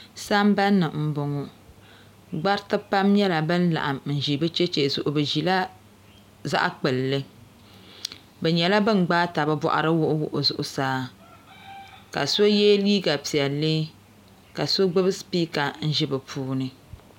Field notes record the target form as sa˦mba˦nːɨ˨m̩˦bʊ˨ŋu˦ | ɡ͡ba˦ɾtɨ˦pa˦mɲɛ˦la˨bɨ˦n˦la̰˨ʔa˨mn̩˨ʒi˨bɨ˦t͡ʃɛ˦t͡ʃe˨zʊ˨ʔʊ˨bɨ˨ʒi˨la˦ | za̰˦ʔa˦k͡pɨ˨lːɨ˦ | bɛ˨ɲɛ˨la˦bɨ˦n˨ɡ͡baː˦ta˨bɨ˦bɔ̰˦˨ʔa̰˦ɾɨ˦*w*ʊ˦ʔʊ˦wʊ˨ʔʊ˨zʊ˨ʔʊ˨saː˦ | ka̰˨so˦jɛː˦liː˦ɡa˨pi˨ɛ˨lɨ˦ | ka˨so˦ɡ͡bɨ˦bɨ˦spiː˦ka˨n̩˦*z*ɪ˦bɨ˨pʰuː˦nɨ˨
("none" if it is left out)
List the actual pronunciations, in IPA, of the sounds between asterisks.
w, ʒ

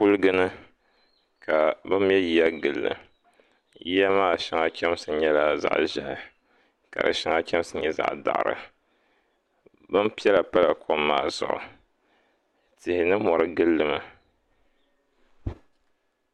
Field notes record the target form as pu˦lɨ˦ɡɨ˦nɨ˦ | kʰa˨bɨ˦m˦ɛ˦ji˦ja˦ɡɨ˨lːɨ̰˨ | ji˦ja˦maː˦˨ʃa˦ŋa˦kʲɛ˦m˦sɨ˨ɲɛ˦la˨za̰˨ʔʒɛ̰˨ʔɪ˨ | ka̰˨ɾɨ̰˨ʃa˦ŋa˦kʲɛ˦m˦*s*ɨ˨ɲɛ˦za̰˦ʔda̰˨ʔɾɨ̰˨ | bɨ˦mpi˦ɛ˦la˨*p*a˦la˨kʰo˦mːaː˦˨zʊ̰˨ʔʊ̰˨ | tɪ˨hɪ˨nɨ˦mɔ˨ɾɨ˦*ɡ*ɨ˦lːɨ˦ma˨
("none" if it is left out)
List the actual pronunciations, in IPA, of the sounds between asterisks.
s, p, ɡ

